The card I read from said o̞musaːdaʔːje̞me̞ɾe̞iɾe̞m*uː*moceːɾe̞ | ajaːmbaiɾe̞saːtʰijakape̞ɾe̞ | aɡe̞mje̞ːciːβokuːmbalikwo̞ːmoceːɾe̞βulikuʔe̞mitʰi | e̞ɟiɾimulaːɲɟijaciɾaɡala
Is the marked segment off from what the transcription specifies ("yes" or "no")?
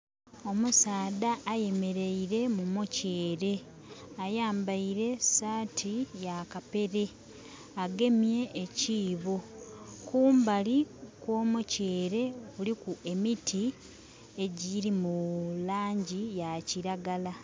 yes